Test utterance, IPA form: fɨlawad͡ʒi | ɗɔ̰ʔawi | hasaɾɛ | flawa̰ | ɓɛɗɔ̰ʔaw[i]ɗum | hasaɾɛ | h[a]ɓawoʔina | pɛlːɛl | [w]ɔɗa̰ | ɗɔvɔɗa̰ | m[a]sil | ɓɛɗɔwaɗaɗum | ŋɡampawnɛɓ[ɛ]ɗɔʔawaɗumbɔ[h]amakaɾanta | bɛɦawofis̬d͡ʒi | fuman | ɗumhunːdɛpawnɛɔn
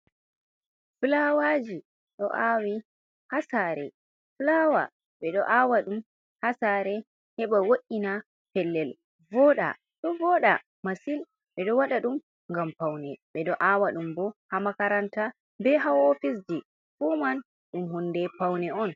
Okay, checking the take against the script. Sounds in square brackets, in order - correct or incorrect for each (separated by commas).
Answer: incorrect, incorrect, incorrect, correct, correct, correct